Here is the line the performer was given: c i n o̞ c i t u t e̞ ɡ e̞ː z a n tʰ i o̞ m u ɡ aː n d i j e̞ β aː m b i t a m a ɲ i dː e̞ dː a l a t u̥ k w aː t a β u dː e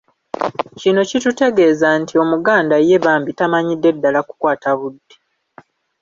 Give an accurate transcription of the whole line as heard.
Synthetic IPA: c i n o̞ c i t u t e̞ ɡ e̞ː z a n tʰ i o̞ m u ɡ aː n d a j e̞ β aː m b i t a m a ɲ i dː e̞ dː a l a k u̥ k w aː t a β u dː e

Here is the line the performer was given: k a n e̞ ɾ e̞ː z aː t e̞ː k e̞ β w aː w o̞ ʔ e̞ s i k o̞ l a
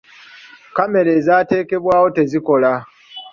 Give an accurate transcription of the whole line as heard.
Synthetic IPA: k a m e̞ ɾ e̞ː z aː t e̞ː k e̞ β w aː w o̞ t e̞ z i k o̞ l a

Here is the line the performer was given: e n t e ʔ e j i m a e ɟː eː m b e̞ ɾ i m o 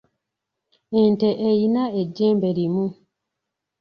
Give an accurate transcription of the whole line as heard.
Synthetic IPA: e n t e ʔ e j i n a e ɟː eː m b e̞ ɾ i m u

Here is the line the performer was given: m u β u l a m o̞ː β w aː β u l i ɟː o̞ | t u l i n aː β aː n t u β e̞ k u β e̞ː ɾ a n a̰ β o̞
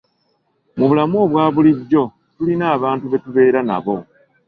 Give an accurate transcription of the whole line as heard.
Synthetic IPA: m u β u l a m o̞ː β w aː β u l i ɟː o̞ | t u l i n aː β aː n t u β e̞ t u β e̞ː ɾ a n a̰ β o̞

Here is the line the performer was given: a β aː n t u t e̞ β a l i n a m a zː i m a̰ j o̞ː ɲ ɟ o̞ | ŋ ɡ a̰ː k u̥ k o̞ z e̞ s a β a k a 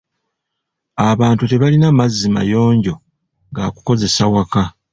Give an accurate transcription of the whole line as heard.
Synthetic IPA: a β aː n t u t e̞ β a l i n a m a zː i m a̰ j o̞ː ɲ ɟ o̞ | ŋ ɡ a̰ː k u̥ k o̞ z e̞ s a w a k a

